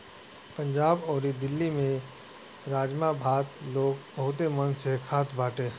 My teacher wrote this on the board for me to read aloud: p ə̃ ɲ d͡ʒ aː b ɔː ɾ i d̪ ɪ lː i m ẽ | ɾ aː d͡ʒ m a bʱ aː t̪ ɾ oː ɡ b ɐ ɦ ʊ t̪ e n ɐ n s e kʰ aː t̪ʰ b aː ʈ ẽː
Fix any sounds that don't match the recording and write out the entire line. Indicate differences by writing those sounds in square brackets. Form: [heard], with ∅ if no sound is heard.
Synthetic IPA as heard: p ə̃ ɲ d͡ʒ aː b ɔː ɾ i d̪ ɪ lː i m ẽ | ɾ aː d͡ʒ m a bʱ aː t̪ [l] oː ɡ b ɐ ɦ ʊ t̪ e [m] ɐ n s e kʰ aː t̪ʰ b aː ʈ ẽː